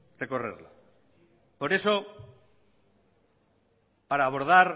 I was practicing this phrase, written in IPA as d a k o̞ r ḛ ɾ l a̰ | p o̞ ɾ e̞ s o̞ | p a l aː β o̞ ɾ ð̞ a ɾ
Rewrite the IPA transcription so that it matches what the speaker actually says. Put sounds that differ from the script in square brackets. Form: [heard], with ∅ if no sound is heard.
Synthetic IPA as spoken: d [e] k o̞ r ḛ ɾ l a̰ | p o̞ ɾ e̞ s o̞ | p a [ɾ] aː β o̞ ɾ ð̞ a ɾ